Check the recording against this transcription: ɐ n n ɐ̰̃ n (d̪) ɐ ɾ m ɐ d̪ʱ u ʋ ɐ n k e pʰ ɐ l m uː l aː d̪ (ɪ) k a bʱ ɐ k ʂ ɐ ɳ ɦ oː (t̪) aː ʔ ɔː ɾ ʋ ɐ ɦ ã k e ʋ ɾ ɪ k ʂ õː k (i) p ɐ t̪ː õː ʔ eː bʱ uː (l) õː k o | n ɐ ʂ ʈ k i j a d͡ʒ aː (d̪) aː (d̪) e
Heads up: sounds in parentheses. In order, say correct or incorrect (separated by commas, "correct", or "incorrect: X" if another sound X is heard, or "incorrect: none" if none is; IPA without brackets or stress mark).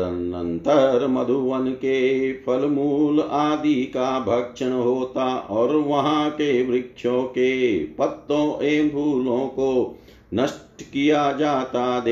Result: incorrect: t̪, incorrect: i, correct, incorrect: e, correct, incorrect: t̪, correct